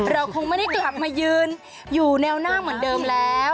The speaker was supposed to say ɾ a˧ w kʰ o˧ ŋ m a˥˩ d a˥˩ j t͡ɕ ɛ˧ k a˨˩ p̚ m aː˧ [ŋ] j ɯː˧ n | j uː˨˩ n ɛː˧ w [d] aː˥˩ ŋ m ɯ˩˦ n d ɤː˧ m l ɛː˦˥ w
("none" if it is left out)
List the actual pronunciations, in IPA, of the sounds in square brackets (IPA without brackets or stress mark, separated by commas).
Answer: none, n